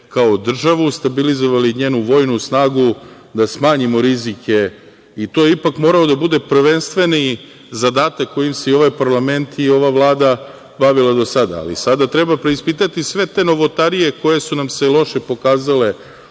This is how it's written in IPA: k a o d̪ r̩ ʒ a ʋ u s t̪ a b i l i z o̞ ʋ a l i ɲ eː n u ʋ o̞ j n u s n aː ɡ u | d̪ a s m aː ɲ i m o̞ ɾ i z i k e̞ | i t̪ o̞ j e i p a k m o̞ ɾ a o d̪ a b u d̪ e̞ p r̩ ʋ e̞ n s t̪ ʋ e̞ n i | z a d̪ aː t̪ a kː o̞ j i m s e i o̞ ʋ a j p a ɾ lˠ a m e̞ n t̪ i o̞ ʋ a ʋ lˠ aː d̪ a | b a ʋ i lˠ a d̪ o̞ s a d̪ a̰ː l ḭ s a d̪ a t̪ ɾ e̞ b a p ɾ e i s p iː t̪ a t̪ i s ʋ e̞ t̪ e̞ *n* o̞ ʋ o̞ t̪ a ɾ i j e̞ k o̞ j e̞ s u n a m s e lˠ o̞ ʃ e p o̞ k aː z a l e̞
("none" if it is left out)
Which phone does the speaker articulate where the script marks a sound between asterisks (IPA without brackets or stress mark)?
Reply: n